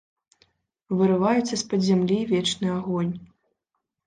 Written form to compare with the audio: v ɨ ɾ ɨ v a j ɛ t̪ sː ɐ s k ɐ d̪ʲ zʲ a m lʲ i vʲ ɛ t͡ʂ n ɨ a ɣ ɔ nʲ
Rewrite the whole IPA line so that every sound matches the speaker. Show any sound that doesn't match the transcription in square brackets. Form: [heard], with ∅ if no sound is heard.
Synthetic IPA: v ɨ ɾ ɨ v a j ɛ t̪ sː ɐ s [p] ɐ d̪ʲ zʲ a m lʲ i vʲ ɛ t͡ʂ n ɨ a ɣ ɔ nʲ